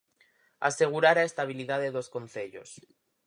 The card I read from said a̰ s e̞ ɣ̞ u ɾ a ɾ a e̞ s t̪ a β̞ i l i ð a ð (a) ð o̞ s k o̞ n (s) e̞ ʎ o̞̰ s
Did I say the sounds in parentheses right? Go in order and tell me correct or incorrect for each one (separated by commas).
incorrect, incorrect